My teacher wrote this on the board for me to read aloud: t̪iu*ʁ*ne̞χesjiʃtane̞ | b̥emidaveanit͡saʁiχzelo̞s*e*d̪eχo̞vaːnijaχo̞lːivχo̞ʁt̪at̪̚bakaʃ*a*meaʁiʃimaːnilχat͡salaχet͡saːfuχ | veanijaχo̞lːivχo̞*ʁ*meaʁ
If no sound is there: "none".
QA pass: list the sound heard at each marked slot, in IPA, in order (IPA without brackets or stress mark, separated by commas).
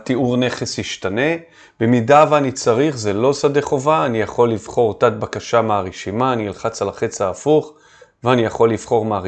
ʁ, a, a, ʁ